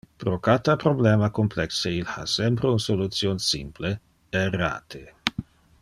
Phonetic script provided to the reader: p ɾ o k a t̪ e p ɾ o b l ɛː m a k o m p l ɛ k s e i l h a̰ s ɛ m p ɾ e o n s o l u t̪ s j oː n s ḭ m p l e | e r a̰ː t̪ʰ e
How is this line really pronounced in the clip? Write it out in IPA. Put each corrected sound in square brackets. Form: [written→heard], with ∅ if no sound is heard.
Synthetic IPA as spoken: p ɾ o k a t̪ [e→a] p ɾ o b l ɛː m a k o m p l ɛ k s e i l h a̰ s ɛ m p ɾ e [o→u] n s o l u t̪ s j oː n s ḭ m p l e | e r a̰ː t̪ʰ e